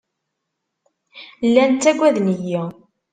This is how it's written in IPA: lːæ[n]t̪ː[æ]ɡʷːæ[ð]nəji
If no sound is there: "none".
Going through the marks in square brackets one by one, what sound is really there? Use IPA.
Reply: n, æ, ð

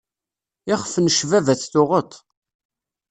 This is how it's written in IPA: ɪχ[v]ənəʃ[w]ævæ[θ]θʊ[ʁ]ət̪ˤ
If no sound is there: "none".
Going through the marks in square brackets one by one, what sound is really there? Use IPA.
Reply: f, v, θ, ʁ

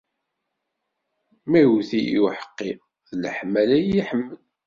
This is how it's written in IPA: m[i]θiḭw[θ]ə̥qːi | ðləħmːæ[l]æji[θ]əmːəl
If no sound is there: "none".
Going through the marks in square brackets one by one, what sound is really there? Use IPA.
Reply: æ, ħ, l, ħ

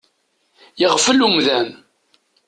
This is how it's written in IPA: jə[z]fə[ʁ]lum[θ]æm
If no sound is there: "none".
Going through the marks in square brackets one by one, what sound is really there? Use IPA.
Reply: ʁ, none, ð

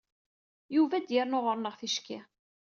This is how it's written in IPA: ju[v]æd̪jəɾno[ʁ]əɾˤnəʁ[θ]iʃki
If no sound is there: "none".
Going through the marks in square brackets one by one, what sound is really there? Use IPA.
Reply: v, ʁ, θ

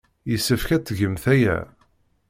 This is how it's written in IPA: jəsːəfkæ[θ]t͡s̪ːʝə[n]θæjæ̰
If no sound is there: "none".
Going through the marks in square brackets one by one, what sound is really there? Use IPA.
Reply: none, m

